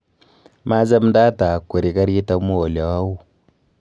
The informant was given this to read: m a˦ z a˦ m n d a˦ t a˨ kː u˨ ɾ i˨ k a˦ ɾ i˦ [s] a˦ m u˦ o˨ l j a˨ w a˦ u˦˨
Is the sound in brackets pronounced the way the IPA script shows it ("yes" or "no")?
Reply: no